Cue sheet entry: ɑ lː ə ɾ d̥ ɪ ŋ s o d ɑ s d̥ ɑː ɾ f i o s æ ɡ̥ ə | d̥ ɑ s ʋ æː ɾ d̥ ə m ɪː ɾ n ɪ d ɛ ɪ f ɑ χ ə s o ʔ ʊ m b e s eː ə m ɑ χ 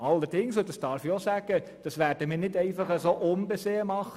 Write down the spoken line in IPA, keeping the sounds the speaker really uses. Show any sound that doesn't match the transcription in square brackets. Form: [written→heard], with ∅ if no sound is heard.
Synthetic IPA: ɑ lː ə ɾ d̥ ɪ ŋ s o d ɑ s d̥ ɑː ɾ f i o s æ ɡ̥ ə | d̥ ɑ s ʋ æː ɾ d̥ ə m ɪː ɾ n ɪ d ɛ ɪ f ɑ χ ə s o ʔ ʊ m b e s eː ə m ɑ χ